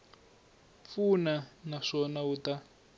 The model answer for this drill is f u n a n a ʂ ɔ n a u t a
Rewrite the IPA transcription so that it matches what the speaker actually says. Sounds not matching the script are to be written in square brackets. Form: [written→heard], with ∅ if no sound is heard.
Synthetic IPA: f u n a n a ʂ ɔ n a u t a